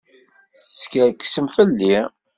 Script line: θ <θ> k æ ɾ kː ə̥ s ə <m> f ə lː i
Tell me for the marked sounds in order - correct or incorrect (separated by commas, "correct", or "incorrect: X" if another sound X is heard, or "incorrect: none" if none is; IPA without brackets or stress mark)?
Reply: incorrect: s, correct